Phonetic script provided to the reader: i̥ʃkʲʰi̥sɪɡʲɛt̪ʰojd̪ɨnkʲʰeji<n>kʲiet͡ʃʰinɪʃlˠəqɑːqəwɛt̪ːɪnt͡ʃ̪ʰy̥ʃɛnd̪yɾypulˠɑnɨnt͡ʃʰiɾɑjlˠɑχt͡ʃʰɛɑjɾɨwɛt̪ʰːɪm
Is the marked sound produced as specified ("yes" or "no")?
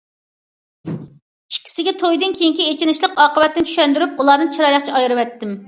no